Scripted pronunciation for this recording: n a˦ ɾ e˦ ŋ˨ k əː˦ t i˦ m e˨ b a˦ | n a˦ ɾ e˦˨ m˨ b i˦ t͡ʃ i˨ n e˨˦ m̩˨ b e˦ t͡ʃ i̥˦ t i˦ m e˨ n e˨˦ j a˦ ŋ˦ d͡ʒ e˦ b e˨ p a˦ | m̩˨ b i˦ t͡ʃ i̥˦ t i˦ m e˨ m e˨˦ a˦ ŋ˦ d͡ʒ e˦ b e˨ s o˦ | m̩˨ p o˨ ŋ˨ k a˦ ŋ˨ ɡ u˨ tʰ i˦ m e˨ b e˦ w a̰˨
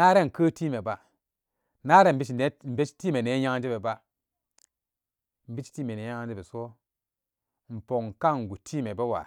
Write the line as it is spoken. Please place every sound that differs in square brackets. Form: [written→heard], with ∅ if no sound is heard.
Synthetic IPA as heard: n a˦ ɾ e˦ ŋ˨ k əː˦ t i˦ m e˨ b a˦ | n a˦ ɾ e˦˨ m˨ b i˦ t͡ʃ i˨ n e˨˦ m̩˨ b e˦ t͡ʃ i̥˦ t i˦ m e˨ n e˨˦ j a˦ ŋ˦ d͡ʒ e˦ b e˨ [p→b] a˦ | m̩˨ b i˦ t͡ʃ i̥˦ t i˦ m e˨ [m→n] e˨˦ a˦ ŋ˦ d͡ʒ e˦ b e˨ s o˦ | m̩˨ p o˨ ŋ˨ k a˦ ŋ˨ ɡ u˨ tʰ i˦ m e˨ b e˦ w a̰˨